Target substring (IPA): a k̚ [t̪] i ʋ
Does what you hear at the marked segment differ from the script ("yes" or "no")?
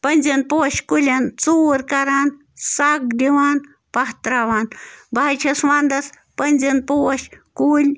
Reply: yes